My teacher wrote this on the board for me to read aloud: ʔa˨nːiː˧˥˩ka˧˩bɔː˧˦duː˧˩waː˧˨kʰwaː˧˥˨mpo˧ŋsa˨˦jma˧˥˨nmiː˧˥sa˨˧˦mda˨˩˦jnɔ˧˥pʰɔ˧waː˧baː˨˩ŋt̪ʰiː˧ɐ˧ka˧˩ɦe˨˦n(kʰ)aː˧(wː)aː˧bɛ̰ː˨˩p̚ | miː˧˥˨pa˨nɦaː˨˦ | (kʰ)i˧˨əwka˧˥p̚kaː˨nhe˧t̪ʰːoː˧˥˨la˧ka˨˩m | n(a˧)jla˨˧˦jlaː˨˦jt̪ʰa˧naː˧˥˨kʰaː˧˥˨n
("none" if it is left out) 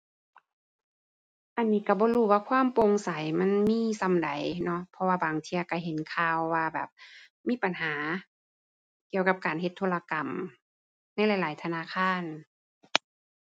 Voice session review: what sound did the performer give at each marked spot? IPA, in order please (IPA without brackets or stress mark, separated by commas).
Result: kʰ, wː, k, a˧˥˩